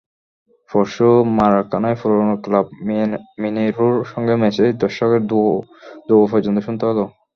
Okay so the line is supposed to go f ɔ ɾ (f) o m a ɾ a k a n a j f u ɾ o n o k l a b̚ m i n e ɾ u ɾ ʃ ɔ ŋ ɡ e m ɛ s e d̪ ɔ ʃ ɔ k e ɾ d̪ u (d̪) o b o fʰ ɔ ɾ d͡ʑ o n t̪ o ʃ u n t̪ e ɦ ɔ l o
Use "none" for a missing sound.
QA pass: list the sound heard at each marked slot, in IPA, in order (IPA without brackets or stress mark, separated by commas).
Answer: ʃ, d̪